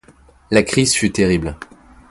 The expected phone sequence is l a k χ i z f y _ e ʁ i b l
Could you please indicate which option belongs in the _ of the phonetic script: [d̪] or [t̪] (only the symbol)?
t̪